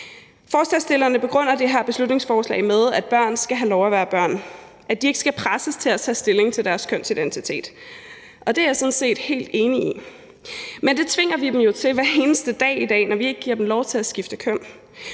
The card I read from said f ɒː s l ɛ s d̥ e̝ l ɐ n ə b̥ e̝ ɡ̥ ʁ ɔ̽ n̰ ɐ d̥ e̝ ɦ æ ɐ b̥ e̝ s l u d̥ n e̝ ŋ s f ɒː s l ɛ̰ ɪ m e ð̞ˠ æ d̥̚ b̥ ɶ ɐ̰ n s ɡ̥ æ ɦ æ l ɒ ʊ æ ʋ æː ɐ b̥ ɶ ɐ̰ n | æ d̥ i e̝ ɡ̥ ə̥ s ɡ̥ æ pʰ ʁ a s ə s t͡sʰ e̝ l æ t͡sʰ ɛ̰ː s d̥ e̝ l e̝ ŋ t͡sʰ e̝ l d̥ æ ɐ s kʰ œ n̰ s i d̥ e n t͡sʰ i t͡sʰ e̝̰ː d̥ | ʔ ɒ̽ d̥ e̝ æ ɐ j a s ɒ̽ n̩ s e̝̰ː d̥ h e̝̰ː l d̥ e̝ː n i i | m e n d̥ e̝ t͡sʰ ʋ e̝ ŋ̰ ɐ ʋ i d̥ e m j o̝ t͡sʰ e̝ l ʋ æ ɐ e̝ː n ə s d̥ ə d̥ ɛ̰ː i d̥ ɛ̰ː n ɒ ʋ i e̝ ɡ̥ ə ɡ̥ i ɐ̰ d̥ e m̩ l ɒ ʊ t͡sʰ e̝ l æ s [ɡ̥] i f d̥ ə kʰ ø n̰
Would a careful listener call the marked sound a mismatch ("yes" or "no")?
no